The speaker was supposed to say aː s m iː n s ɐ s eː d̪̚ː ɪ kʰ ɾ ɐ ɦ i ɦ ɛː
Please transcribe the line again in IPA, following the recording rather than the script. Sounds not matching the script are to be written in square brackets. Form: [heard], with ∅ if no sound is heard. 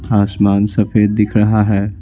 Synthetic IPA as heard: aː s m [aː] n s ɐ [f] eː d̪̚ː ɪ kʰ ɾ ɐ ɦ [a] ɦ ɛː